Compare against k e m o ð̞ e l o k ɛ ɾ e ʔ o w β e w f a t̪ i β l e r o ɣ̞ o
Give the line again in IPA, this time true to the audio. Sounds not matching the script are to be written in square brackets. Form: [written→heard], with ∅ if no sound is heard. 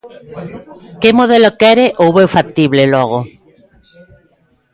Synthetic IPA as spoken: k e m o ð̞ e l o k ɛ ɾ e ʔ o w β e w f a t̪ i β l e [r→l] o ɣ̞ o